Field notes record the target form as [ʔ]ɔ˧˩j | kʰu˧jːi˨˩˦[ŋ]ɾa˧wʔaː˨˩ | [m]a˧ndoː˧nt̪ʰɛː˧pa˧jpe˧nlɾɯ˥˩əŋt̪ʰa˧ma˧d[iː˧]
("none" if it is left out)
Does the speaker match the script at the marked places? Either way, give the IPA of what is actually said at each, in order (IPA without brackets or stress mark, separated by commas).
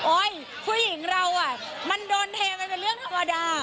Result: ʔ, ŋ, m, aː˧